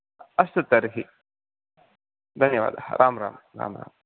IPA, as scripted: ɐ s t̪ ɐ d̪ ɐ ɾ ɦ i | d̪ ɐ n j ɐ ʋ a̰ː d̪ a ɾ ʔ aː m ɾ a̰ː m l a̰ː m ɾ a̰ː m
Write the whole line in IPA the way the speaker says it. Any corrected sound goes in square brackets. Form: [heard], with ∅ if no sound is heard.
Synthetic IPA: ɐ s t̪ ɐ [t̪] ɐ ɾ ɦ i | d̪ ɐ n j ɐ ʋ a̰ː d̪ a ɾ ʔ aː m ɾ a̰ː m [ɾ] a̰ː m ɾ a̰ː m